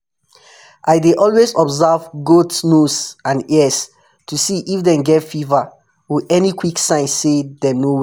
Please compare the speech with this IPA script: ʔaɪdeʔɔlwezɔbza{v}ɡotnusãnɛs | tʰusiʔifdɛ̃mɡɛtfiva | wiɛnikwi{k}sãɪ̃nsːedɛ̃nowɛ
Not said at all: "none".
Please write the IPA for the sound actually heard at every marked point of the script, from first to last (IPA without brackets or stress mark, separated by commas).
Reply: v, k